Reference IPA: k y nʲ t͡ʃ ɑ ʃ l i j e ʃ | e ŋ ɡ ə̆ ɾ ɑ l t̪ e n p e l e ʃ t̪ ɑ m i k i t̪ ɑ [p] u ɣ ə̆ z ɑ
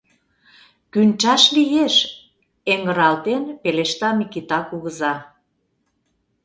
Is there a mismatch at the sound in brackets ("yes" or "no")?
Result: yes